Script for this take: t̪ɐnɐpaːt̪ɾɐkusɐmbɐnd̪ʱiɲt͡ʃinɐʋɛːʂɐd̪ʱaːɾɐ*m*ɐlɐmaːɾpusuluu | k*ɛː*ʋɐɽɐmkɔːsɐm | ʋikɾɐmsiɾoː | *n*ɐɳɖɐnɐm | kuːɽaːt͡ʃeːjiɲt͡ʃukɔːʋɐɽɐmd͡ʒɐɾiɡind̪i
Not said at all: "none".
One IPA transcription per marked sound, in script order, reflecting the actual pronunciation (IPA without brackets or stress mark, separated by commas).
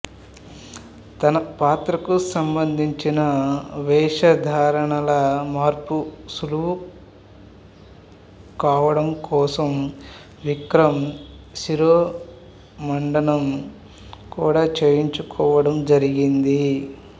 ɳ, aː, m